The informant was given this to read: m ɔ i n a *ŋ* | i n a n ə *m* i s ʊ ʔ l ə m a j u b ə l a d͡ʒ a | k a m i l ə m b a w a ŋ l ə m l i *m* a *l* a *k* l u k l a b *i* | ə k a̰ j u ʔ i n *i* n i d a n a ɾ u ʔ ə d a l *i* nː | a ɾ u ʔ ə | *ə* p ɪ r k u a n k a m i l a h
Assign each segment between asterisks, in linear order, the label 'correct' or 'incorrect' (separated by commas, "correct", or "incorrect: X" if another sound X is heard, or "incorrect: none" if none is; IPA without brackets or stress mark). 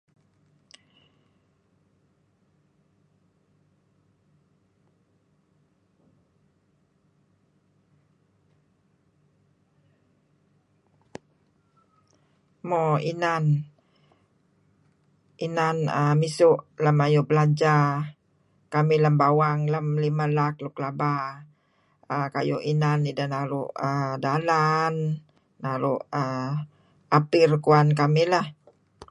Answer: incorrect: n, correct, correct, correct, correct, incorrect: a, incorrect: a, incorrect: a, incorrect: a